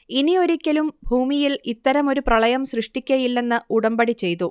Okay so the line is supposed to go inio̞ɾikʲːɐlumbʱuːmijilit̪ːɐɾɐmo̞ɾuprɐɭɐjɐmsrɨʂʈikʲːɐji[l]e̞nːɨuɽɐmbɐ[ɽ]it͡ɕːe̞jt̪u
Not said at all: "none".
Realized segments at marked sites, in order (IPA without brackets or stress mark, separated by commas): lː, ɽ